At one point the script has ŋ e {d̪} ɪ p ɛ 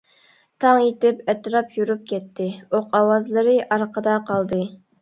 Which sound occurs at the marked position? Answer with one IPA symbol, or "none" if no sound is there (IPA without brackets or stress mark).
t̪